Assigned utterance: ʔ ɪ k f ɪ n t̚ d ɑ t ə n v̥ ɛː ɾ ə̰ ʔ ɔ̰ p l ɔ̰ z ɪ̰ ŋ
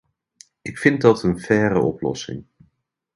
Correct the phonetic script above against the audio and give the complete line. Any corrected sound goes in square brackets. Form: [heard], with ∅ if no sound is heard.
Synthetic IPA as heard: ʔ ɪ k f ɪ n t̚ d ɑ t ə n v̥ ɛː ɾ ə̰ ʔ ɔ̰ p l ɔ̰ [s] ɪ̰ ŋ